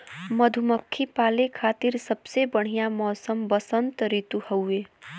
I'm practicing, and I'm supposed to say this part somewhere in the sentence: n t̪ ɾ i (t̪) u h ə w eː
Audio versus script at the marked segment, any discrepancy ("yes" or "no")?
no